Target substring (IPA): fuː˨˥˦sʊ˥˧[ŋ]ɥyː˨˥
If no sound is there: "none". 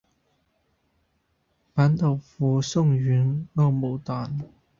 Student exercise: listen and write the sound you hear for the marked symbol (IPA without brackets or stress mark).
ŋ